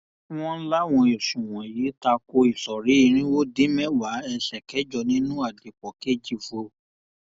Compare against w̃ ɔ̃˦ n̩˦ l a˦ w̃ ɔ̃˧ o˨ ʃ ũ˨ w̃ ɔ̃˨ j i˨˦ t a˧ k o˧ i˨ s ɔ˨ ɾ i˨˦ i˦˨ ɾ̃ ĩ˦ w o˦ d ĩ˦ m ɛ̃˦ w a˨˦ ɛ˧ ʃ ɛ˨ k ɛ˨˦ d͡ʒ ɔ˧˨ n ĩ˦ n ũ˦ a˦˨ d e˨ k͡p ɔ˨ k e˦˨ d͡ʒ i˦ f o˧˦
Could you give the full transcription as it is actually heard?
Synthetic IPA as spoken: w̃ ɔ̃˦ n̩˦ l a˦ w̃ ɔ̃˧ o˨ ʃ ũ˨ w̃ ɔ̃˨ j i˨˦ t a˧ k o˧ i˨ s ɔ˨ ɾ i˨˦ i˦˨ ɾ̃ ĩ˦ w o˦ d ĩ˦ m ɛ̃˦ w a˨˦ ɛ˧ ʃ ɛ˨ k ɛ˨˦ d͡ʒ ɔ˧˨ n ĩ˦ n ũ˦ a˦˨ d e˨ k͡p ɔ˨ k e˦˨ d͡ʒ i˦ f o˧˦